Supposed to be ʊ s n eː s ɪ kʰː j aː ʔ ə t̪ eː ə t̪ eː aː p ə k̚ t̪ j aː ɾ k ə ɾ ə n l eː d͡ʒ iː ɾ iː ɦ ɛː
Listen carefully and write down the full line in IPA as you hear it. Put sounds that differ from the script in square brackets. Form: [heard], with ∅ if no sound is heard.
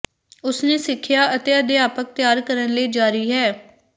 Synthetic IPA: ʊ s n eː s ɪ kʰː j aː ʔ ə t̪ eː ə [d̪] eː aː p ə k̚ t̪ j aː ɾ k ə ɾ ə n l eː d͡ʒ [aː] ɾ iː ɦ ɛː